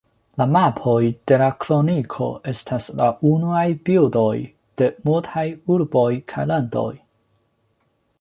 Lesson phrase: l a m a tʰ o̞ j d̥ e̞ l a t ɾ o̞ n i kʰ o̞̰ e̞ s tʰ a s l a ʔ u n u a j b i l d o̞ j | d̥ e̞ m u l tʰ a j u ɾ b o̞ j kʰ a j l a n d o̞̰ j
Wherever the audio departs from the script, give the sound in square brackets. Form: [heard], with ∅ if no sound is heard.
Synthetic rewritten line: l a m a [pʰ] o̞ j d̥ e̞ l a [k] ɾ o̞ n i kʰ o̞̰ e̞ s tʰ a s l a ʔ u n u a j b i l d o̞ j | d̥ e̞ m u l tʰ a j u ɾ b o̞ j kʰ a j l a n d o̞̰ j